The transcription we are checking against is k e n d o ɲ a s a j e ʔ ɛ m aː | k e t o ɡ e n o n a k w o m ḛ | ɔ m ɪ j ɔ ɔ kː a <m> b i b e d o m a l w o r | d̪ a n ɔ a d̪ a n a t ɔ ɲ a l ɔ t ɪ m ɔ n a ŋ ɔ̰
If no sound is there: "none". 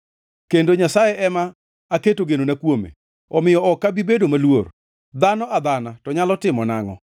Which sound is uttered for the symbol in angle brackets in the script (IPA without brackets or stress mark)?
none